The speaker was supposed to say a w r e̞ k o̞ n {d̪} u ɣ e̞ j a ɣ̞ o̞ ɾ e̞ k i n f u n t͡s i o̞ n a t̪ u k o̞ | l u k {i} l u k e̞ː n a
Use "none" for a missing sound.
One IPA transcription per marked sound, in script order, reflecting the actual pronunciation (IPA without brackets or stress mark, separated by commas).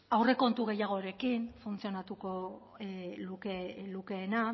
t̪, e